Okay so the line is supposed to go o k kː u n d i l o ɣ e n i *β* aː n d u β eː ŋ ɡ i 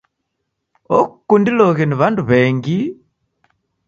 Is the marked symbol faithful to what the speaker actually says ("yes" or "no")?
yes